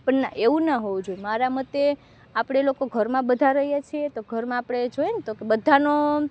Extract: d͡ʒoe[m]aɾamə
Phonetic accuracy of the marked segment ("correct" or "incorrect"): correct